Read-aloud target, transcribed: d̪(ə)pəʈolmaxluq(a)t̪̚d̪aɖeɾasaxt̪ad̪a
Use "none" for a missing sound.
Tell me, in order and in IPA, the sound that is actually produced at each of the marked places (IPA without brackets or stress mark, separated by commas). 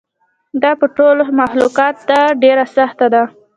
ɑ, ɑ